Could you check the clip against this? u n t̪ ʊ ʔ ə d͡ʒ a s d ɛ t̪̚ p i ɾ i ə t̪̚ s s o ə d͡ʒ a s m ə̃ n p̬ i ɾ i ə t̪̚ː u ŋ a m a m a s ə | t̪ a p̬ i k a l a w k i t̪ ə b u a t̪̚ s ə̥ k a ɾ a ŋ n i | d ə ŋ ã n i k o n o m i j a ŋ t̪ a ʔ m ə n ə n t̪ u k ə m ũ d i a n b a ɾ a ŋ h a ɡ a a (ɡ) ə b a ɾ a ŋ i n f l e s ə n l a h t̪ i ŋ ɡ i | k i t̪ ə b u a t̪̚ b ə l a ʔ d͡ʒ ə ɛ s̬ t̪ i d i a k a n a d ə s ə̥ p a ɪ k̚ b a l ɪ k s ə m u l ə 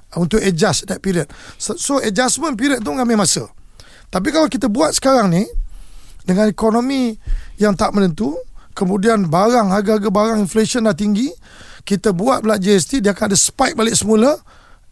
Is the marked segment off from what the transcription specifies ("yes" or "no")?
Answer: no